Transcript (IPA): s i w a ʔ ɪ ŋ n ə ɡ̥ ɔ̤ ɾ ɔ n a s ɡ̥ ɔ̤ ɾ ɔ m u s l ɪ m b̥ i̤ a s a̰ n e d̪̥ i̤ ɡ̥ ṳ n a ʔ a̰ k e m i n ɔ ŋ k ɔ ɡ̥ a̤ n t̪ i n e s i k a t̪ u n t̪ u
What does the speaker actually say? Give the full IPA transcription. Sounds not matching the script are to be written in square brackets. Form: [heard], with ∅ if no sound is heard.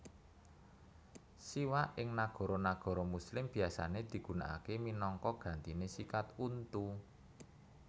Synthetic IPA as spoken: s i w a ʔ ɪ ŋ n [a] ɡ̥ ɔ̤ ɾ ɔ n a [∅] ɡ̥ ɔ̤ ɾ ɔ m u s l ɪ m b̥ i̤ a s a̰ n e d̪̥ i̤ ɡ̥ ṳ n a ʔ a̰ k e m i n ɔ ŋ k ɔ ɡ̥ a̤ n t̪ i n e s i k a t̪ u n t̪ u

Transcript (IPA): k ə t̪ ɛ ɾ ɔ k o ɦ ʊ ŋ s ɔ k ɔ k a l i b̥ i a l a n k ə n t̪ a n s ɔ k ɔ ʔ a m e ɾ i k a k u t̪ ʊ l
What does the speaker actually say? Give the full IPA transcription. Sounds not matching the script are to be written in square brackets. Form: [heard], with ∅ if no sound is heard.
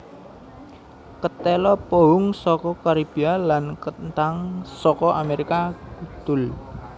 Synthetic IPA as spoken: k ə t̪ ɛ [l] ɔ [p] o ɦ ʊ ŋ s ɔ k ɔ k a [ɾ] i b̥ i a l a n k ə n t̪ a [ŋ] s ɔ k ɔ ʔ a m e ɾ i k a k u t̪ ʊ l

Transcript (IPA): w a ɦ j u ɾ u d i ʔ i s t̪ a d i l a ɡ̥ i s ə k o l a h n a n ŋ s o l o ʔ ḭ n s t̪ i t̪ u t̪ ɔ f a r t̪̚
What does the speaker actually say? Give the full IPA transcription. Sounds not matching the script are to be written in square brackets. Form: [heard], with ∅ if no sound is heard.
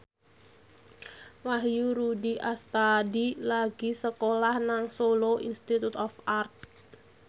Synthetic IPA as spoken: w a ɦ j u ɾ u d i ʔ [a] s t̪ a d i l a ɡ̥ i s ə k o l a h n a [∅] ŋ s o l o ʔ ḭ n s t̪ i t̪ u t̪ ɔ f a r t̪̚

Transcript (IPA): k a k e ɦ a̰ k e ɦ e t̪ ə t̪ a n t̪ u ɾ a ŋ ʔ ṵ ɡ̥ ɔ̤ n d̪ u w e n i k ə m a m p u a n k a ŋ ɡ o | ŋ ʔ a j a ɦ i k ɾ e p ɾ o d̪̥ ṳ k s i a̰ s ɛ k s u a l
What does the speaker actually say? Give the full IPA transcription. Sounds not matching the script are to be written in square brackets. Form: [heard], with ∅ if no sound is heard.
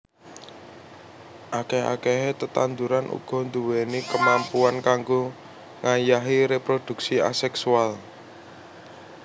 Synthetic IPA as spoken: [ʔ] a k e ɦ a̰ k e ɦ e t̪ ə t̪ a n [d̪] u ɾ a [n] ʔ ṵ ɡ̥ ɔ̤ n d̪ u w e n i k ə m a m p u a n k a ŋ ɡ o | ŋ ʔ a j a ɦ i [∅] ɾ e p ɾ o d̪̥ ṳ k s i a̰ s ɛ k s u a l

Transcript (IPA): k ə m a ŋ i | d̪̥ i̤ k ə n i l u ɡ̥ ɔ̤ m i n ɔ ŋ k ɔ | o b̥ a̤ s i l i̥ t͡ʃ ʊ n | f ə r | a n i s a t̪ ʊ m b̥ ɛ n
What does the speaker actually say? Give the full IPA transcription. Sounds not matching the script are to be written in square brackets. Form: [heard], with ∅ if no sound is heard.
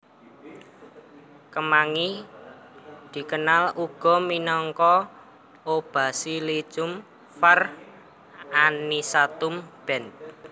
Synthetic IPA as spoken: k ə m a ŋ i | d̪̥ i̤ k ə n [a] l u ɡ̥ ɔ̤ m i n ɔ ŋ k ɔ | o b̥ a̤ s i l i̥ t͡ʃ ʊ [m] | f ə r | a n i s a t̪ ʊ m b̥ ɛ n

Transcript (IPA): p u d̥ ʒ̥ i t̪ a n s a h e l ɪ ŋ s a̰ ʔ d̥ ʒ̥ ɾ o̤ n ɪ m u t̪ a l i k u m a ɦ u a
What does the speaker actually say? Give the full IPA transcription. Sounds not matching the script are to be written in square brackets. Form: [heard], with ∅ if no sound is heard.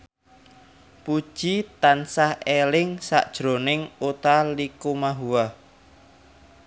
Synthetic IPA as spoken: p u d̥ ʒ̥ i t̪ a n s a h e l ɪ ŋ s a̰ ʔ d̥ ʒ̥ ɾ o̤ n ɪ [ŋ] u t̪ a l i k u m a ɦ u a

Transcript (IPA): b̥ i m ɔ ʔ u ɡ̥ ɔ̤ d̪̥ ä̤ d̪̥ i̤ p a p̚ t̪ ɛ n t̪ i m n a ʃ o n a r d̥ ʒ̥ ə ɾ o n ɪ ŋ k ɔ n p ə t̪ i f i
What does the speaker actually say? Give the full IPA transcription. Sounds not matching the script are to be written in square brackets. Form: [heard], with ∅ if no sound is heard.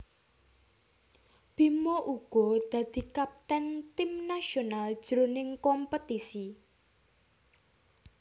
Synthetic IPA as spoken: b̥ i m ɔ ʔ u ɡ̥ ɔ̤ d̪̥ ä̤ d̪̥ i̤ [k] a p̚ t̪ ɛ n t̪ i m n a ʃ o n a [l] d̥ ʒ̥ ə ɾ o n ɪ ŋ k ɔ [m] p ə t̪ i [s] i

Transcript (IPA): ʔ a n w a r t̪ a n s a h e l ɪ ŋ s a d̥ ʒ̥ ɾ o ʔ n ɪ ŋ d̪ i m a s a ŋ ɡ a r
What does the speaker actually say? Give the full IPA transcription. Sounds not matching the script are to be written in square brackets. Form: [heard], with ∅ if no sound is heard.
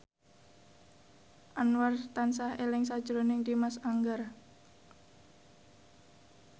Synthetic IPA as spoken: ʔ a n w a r t̪ a n s a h e l ɪ ŋ s a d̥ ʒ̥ ɾ o [∅] n ɪ ŋ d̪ i m a s a ŋ ɡ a r

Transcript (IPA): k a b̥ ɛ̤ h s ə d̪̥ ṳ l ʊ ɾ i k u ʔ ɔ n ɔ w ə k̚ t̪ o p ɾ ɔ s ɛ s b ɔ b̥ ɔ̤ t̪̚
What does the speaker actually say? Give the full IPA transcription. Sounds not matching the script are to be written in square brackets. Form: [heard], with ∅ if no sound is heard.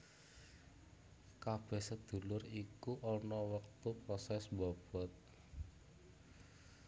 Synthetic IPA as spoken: k a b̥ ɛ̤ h s ə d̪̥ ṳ l ʊ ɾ i k u ʔ ɔ n ɔ w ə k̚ t̪ [u] p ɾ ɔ s ɛ s b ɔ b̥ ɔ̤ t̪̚

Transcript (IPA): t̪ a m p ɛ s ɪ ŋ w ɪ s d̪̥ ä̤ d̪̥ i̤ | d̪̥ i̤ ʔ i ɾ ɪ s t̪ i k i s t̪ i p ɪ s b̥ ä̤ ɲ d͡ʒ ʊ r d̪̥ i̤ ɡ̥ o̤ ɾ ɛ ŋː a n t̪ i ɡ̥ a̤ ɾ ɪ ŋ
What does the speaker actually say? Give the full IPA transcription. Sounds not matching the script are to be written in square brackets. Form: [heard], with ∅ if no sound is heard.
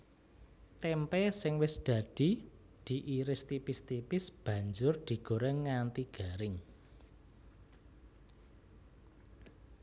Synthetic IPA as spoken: t̪ [ɛ] m p ɛ s ɪ ŋ w ɪ s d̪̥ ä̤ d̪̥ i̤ | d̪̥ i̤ ʔ i ɾ ɪ s t̪ i [p] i s t̪ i p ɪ s b̥ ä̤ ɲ d͡ʒ ʊ r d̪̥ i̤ ɡ̥ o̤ ɾ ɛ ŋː a n t̪ i ɡ̥ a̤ ɾ ɪ ŋ

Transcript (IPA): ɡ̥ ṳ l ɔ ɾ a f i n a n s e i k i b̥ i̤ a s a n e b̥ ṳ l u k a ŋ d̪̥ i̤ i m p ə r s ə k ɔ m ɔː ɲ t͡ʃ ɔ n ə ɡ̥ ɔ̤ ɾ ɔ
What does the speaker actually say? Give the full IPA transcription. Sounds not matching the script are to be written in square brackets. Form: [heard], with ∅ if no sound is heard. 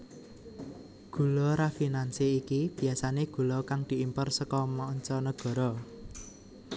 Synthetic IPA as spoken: ɡ̥ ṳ l ɔ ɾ a f i n a n s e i k i b̥ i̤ a s a n e [ɡ̥] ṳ l [ɔ] k a ŋ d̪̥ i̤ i m p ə r s ə k ɔ m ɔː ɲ t͡ʃ ɔ n ə ɡ̥ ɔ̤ ɾ ɔ

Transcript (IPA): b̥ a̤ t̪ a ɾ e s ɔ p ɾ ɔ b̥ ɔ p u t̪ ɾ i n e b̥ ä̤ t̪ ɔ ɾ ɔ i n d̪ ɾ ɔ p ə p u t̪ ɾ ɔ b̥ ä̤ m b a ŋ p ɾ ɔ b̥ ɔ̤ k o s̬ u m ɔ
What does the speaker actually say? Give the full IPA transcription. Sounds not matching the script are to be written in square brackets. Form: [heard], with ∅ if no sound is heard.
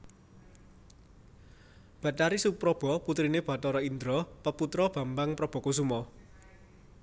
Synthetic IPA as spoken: b̥ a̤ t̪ a ɾ [i] s [u] p ɾ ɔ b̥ ɔ p u t̪ ɾ i n e b̥ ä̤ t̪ ɔ ɾ ɔ i n d̪ ɾ ɔ p ə p u t̪ ɾ ɔ b̥ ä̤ m b a ŋ p ɾ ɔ b̥ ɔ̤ k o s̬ u m ɔ

